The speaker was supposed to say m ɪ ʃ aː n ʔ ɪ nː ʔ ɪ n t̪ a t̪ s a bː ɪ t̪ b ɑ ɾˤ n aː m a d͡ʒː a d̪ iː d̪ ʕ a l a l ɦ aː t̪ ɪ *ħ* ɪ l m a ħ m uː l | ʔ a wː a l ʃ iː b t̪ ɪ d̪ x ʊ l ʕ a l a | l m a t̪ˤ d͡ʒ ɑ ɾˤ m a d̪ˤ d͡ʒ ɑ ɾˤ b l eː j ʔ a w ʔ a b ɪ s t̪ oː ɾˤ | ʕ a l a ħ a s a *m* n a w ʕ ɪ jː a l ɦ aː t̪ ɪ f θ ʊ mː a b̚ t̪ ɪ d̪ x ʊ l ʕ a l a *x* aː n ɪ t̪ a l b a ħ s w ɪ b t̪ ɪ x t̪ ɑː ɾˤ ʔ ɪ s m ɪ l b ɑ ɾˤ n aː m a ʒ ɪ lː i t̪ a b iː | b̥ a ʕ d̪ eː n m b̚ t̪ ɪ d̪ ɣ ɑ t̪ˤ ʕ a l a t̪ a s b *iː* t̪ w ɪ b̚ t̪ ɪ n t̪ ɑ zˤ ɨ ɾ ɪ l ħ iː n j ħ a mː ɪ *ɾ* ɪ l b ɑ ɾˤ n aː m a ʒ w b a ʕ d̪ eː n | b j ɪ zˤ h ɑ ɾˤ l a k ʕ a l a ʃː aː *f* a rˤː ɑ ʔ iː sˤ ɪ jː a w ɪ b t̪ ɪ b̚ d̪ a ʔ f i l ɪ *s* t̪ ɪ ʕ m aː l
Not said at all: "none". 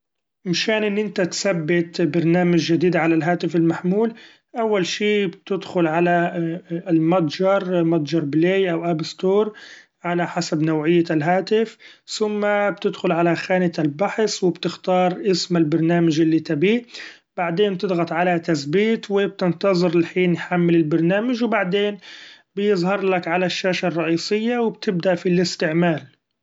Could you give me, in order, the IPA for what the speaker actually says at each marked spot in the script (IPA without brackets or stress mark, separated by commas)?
f, b, x, iː, l, ʃ, s